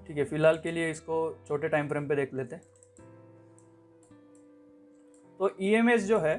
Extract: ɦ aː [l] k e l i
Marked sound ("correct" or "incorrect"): correct